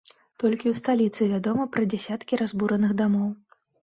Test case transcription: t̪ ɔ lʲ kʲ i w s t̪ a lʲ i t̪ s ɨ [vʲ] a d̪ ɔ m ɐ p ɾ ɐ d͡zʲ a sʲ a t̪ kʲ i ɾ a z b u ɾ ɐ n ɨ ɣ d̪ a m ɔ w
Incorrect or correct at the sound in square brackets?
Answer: correct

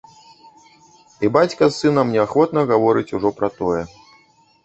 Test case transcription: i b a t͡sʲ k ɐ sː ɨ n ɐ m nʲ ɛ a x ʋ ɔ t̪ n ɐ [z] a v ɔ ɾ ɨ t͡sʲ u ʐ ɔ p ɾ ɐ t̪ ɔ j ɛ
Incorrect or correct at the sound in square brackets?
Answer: incorrect: ɣ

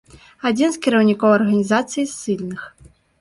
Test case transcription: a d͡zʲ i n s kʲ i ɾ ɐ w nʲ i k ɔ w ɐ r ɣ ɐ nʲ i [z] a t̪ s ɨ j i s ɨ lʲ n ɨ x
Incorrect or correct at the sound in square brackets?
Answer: correct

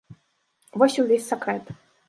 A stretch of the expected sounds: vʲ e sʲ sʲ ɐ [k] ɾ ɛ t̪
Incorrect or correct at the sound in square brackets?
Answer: correct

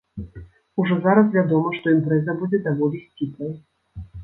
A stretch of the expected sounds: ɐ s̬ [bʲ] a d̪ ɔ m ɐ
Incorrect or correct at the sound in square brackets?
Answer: incorrect: vʲ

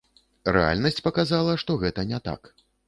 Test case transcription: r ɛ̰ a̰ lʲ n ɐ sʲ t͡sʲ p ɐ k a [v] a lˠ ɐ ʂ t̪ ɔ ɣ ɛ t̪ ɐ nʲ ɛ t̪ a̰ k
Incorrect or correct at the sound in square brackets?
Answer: incorrect: z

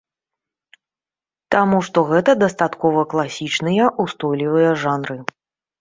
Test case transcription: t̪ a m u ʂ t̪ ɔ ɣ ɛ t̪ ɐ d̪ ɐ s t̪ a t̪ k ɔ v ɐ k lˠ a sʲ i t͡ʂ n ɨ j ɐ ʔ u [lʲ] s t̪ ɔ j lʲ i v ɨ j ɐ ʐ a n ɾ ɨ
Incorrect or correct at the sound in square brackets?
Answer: incorrect: none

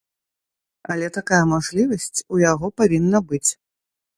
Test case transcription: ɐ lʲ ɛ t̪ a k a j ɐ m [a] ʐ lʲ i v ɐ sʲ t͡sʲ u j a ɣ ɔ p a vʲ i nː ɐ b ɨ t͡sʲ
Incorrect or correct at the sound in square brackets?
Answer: correct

